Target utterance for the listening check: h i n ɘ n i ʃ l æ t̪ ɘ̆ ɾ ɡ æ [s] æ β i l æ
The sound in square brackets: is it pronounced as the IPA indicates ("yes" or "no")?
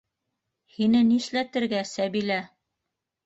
yes